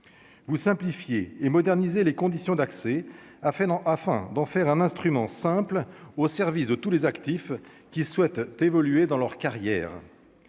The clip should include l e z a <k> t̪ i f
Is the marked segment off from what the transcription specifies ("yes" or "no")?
no